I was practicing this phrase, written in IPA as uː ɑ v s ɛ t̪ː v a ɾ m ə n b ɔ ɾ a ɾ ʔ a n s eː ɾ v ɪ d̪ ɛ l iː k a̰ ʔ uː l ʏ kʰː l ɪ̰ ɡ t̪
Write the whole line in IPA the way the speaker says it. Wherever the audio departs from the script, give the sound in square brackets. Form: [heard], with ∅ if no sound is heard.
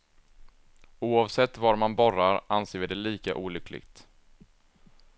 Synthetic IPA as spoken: uː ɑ v s ɛ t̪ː v a ɾ m [a] n b ɔ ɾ a ɾ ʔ a n s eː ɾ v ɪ d̪ ɛ l iː k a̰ ʔ uː l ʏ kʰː l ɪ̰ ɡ t̪